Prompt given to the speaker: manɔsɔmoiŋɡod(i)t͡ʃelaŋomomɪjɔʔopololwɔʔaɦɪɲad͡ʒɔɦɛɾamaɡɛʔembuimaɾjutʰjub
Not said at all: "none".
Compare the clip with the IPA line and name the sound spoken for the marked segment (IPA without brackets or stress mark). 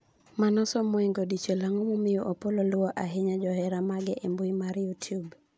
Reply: i